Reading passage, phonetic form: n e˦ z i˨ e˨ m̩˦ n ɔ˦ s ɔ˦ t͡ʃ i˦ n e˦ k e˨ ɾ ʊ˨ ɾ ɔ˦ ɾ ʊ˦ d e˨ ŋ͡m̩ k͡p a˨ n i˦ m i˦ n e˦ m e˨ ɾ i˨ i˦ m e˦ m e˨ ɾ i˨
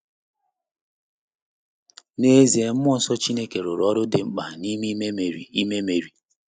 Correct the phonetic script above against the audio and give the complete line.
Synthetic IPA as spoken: n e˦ z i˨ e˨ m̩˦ m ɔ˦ s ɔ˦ t͡ʃ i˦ n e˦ k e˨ ɾ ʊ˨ ɾ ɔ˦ ɾ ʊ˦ d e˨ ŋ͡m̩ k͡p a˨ n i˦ m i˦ m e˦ m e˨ ɾ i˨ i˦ m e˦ m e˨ ɾ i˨